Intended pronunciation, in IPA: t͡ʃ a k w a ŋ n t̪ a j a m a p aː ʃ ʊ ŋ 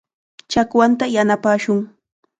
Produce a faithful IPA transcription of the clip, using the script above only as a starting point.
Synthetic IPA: t͡ʃ a k w a n t̪ a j a n a p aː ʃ ʊ ŋ